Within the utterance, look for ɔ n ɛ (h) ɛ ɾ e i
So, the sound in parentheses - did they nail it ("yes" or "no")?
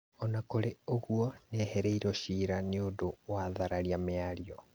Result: yes